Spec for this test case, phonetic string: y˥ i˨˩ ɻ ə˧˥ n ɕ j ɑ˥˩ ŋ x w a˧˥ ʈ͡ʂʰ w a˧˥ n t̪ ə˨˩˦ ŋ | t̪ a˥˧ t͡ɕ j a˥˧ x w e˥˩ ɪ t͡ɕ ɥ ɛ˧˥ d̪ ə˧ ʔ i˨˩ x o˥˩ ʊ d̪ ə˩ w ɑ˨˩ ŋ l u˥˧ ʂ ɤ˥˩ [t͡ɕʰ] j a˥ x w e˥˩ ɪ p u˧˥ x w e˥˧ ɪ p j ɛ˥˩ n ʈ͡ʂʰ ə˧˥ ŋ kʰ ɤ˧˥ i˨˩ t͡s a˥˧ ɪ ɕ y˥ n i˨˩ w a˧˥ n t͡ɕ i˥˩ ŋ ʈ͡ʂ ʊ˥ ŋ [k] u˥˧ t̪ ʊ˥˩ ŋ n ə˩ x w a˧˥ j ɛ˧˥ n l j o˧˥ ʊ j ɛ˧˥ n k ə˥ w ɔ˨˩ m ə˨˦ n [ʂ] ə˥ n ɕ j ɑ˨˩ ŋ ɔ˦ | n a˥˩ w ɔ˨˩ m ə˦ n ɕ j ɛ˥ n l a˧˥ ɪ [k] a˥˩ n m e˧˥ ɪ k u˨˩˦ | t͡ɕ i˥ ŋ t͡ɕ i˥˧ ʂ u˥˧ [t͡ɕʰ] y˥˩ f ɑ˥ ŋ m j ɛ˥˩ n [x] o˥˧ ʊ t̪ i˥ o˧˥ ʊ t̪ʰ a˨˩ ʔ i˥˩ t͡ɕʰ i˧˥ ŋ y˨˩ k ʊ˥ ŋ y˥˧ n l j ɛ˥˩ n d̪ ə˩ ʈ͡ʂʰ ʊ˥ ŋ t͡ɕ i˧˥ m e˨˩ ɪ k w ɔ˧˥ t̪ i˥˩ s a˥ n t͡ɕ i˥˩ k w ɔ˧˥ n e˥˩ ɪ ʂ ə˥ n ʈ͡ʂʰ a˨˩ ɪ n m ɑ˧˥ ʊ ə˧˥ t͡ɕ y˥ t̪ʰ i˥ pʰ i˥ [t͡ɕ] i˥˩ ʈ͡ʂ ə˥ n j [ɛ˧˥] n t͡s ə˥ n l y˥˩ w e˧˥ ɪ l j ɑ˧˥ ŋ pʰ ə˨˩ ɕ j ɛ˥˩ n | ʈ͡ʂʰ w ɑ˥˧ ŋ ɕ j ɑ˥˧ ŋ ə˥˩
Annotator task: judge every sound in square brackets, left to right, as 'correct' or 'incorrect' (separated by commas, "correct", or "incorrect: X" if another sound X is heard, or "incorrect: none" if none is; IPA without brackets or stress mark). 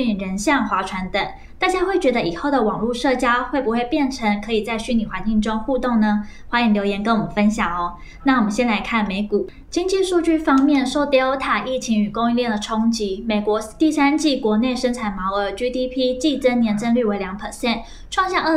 incorrect: t͡ɕ, incorrect: x, incorrect: f, incorrect: kʰ, incorrect: t͡ɕ, incorrect: ʂ, correct, correct